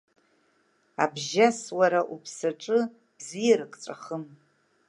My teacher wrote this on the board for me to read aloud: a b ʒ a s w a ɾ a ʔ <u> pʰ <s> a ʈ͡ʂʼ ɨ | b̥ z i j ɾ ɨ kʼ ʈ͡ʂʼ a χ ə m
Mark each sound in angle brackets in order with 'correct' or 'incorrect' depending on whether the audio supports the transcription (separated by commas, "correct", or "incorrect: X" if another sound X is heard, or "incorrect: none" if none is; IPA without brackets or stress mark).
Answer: correct, correct